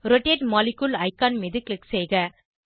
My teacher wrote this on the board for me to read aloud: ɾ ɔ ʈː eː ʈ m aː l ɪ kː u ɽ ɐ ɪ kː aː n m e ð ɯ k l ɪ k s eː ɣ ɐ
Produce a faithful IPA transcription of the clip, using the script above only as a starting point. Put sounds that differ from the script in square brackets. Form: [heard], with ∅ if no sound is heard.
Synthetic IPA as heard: ɾ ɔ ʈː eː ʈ m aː l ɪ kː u [l] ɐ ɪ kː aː n m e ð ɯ k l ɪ k s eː ɣ ɐ